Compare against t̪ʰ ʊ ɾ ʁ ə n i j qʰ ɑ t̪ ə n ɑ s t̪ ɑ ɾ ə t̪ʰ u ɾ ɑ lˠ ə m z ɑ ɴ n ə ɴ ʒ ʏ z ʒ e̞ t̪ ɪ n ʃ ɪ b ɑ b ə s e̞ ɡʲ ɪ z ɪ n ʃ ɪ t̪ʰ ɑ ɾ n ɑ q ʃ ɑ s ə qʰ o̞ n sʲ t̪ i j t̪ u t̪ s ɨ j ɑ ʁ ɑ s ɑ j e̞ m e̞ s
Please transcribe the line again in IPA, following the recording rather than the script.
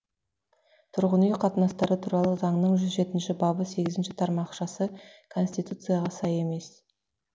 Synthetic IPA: t̪ʰ ʊ ɾ ʁ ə n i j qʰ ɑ t̪ ə n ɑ s t̪ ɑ ɾ ə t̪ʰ u ɾ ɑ lˠ ə z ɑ ɴ n ə ɴ ʒ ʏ z ʒ e̞ t̪ ɪ n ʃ ɪ b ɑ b ə s e̞ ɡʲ ɪ z ɪ n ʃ ɪ t̪ʰ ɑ ɾ m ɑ q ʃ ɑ s ə kʰ o̞ n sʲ t̪ i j t̪ u t̪ s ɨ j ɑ ʁ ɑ s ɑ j e̞ m e̞ s